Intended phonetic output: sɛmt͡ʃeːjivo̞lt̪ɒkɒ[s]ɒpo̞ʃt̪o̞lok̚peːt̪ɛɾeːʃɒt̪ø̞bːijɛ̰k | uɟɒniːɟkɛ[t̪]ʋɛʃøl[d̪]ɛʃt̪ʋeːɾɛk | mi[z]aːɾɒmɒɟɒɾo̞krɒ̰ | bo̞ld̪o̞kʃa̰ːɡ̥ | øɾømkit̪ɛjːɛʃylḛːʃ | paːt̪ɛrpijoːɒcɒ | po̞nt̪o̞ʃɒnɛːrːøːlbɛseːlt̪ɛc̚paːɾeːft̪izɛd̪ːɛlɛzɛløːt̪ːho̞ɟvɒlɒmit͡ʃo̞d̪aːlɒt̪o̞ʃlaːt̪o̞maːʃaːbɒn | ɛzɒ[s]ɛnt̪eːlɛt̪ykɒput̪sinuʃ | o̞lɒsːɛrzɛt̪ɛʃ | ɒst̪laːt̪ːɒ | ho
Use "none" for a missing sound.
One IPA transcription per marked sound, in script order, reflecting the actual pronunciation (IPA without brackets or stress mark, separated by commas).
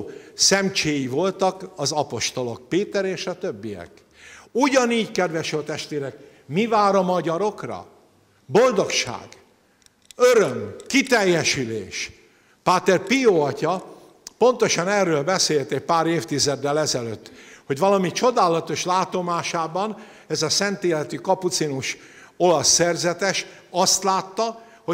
z, d̪, t̪, v, s